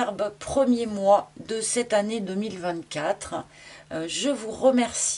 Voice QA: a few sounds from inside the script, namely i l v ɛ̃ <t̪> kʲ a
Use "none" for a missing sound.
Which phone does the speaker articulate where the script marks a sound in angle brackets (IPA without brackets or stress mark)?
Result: t̪